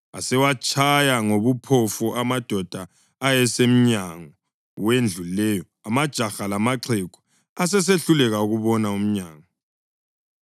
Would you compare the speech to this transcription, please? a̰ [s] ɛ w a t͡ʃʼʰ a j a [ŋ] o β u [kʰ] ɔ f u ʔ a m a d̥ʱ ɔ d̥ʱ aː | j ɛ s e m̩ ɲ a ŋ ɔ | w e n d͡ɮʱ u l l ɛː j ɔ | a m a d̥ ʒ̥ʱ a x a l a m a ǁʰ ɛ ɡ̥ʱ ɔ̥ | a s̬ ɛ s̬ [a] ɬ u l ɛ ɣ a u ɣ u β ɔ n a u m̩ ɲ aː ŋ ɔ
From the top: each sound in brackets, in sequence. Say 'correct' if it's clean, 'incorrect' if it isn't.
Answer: correct, correct, incorrect, incorrect

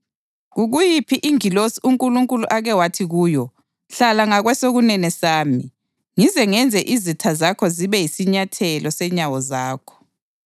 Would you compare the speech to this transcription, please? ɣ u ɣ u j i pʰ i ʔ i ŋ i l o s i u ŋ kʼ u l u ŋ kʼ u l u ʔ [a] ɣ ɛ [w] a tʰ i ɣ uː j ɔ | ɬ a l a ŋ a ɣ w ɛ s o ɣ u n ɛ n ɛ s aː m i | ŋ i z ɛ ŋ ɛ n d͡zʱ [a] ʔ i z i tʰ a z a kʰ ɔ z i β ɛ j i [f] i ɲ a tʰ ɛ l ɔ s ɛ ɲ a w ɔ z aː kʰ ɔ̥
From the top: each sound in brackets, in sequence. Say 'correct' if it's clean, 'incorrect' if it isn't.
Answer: correct, correct, incorrect, incorrect

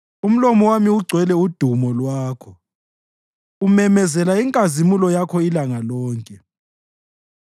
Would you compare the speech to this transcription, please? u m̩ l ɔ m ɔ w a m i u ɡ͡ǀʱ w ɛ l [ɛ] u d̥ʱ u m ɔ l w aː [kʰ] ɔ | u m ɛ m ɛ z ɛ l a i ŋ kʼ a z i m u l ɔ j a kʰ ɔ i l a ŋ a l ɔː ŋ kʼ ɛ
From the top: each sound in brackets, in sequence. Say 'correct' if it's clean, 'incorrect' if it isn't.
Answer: correct, correct

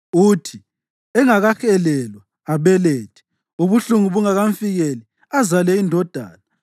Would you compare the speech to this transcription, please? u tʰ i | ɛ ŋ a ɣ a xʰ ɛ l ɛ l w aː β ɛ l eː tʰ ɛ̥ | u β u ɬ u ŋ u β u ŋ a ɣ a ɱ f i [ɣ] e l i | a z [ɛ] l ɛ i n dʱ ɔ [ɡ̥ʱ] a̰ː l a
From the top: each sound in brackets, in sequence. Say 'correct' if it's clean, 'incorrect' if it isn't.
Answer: correct, incorrect, incorrect

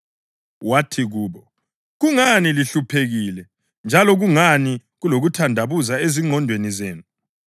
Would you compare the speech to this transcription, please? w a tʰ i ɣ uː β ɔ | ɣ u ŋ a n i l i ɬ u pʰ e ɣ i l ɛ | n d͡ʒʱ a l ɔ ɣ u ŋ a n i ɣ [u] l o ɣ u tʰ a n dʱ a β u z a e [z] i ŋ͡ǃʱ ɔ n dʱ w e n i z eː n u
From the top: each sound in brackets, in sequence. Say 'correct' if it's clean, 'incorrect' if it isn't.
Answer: correct, correct

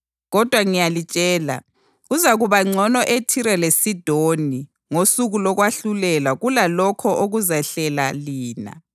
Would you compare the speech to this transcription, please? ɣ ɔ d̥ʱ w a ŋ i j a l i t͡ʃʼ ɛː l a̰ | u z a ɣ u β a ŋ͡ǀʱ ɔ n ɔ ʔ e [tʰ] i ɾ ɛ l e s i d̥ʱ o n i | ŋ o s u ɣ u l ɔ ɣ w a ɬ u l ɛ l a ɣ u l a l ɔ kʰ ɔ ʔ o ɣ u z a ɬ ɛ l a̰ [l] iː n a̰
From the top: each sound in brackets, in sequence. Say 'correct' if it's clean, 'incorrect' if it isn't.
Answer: correct, correct

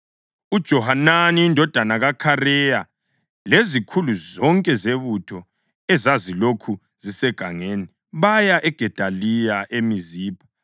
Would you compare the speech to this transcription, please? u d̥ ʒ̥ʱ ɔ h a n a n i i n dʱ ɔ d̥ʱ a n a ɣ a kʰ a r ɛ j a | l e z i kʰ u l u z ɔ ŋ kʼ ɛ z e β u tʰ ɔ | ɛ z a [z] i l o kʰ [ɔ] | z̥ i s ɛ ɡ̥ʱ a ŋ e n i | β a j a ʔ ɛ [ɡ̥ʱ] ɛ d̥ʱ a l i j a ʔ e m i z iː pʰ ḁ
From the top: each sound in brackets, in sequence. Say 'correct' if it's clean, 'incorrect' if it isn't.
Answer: correct, incorrect, correct

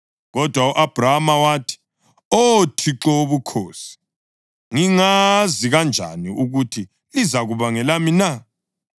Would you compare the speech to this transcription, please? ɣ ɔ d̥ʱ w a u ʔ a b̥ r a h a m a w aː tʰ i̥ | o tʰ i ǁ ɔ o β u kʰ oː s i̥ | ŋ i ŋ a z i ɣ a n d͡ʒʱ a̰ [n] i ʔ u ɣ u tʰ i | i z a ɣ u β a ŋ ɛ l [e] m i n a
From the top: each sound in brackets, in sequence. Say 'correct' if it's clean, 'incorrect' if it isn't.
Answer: correct, incorrect

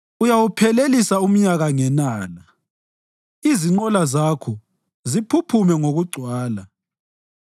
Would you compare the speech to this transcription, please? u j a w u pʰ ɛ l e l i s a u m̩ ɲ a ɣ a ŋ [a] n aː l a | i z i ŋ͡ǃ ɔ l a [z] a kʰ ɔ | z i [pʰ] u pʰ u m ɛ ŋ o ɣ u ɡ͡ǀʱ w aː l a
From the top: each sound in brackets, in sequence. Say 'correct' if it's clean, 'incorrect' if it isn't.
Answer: incorrect, correct, correct

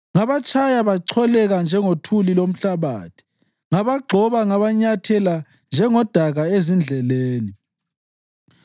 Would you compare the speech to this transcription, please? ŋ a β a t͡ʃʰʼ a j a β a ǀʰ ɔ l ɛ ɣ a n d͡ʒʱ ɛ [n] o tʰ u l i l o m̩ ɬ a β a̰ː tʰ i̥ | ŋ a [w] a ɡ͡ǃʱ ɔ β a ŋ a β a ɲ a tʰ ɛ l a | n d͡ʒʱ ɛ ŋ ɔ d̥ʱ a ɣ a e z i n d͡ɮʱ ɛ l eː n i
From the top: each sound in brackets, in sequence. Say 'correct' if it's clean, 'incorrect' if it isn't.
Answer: incorrect, incorrect

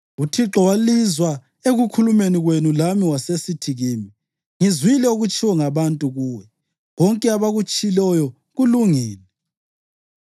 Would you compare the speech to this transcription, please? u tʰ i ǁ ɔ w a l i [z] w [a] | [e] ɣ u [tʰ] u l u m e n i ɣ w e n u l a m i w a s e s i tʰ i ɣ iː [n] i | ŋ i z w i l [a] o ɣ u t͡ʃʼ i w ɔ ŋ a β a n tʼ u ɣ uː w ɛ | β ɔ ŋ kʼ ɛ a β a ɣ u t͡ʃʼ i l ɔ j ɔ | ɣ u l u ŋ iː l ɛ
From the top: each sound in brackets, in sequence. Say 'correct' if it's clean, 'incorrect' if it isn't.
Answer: correct, correct, correct, incorrect, incorrect, incorrect

